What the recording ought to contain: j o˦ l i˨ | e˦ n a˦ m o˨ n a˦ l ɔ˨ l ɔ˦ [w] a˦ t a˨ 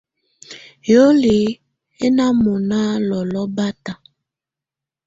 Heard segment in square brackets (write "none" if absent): b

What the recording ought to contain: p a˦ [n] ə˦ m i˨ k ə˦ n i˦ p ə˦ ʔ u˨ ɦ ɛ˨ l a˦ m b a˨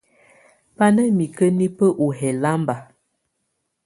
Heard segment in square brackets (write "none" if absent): n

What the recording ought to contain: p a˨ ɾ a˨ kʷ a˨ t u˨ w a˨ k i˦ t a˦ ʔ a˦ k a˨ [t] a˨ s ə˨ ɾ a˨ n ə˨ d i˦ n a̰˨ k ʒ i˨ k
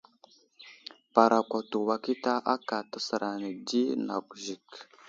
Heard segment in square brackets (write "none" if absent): t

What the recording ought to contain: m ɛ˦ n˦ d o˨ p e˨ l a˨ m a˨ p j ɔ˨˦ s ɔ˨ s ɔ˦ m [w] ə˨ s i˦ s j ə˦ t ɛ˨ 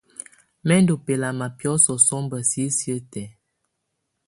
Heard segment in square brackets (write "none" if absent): b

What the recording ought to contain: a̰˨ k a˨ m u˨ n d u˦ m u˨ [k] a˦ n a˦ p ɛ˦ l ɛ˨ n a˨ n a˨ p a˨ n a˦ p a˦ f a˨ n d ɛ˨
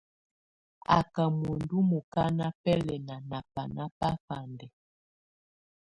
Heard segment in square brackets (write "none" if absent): k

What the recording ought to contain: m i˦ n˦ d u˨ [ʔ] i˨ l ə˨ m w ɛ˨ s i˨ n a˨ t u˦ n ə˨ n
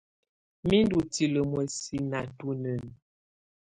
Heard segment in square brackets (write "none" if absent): t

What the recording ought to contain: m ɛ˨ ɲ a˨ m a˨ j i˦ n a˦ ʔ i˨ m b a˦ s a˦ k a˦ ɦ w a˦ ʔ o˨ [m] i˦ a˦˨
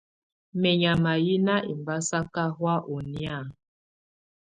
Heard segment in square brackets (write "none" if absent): n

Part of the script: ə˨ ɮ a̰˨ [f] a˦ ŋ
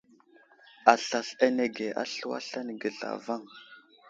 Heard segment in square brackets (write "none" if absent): v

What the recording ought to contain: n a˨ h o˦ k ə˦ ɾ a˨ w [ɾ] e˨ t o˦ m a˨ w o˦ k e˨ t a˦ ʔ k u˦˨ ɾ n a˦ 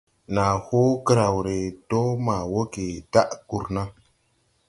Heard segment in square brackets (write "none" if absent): ɾ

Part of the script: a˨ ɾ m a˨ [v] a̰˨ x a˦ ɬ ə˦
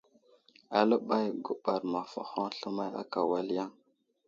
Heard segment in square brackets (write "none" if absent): f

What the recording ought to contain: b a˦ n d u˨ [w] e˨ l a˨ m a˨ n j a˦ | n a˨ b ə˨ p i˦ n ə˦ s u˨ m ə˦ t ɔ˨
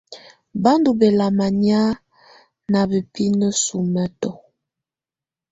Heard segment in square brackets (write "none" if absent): b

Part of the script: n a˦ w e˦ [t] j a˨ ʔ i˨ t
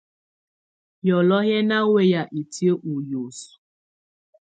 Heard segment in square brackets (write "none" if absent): none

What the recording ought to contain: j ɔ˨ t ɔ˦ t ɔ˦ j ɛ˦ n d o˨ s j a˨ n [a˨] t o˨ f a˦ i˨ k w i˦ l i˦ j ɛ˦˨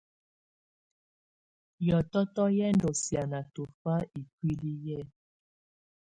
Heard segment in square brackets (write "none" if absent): a˨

